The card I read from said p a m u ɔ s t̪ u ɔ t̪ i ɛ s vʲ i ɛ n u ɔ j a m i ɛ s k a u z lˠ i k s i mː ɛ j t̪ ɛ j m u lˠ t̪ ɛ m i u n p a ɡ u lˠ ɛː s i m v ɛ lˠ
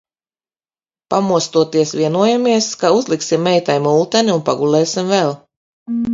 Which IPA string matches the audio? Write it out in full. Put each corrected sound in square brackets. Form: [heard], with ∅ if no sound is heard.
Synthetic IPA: p a m u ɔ s t̪ u ɔ t̪ i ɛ s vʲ i ɛ n u ɔ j a m i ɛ s k a u z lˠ i k s i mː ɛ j t̪ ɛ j m u lˠ t̪ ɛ [n] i u n p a ɡ u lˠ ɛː s i m v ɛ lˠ